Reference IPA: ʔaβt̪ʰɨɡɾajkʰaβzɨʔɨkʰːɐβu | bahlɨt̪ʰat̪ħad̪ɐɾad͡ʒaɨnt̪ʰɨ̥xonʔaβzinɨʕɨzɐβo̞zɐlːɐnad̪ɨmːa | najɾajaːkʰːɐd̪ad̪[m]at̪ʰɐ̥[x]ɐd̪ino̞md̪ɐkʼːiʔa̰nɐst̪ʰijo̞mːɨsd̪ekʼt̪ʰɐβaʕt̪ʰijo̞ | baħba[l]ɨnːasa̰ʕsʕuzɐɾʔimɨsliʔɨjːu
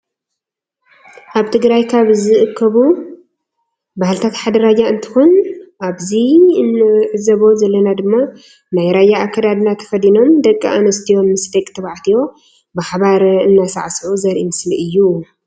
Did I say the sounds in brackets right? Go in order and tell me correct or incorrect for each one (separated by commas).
incorrect, incorrect, incorrect